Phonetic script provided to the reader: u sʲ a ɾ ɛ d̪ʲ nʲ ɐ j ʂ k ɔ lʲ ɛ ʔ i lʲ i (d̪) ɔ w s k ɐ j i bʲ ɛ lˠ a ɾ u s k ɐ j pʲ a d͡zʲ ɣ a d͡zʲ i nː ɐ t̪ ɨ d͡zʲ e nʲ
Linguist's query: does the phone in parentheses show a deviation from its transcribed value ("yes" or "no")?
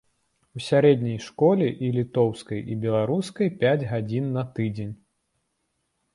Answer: yes